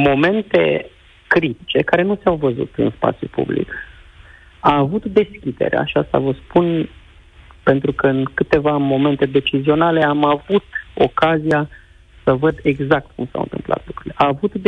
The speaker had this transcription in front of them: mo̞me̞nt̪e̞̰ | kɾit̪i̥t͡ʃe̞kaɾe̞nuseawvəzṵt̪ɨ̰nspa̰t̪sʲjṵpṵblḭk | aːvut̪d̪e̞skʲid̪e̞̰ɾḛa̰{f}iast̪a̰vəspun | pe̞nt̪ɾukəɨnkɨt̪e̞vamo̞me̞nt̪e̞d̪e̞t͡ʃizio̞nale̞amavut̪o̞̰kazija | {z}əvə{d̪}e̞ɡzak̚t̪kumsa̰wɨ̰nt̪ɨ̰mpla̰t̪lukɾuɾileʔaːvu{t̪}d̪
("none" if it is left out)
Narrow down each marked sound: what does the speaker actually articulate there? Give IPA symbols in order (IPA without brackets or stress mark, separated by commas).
ʃ, s, d̪, t̪